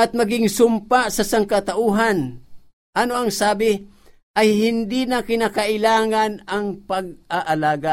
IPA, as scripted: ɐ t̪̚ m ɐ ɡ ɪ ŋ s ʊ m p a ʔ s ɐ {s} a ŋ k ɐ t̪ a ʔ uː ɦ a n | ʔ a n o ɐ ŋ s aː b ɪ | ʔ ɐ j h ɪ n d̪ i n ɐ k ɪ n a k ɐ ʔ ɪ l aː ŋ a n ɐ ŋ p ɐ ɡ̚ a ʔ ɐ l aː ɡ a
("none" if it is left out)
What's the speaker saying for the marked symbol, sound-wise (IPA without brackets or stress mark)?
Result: s